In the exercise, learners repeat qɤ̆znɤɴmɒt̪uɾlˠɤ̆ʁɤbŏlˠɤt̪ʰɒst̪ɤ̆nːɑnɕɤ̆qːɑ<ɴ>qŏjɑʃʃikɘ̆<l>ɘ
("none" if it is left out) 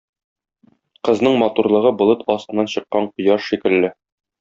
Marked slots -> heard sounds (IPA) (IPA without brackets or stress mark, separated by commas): ɴ, lː